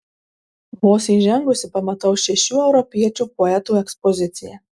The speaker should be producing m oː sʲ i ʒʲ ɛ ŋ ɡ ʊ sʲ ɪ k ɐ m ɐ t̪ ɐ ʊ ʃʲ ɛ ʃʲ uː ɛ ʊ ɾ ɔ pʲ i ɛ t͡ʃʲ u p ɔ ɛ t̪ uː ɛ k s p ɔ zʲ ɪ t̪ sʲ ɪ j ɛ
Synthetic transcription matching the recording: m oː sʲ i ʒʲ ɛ ŋ ɡ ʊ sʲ ɪ p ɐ m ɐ t̪ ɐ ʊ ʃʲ ɛ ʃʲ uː ɛ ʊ ɾ ɔ pʲ i ɛ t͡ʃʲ u p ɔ ɛ t̪ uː ɛ k s p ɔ zʲ ɪ t̪ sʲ ɪ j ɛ